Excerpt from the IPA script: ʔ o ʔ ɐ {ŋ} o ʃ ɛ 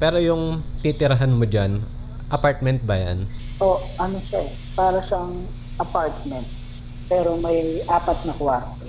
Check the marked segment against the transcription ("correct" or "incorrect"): incorrect